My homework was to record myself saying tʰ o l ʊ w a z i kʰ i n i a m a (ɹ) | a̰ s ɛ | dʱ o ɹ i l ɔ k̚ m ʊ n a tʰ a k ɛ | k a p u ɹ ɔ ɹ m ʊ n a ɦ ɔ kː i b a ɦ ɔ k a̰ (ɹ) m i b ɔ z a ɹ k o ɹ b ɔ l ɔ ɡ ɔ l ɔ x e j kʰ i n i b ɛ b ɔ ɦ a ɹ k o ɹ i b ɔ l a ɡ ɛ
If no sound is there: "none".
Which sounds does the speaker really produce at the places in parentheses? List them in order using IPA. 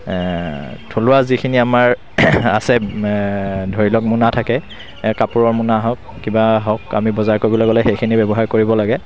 ɹ, none

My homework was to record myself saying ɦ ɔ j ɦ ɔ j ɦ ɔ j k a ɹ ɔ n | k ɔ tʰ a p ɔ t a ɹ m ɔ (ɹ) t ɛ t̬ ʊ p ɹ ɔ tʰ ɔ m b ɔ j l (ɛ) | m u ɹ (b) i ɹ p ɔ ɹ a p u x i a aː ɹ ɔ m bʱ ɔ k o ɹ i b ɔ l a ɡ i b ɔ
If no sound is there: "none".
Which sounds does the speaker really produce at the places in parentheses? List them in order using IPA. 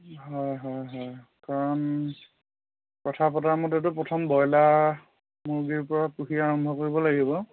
none, a, ɡ

